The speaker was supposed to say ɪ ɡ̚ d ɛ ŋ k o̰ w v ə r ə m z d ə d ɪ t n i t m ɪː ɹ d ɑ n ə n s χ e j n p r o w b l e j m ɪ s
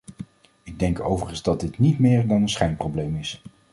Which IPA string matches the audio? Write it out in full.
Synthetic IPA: ɪ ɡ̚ d ɛ ŋ k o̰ w v ə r ə n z d ɑ d ɪ t n i t m ɪː ɹ d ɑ n ə n s χ ɛ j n p r o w b l e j m ɪ s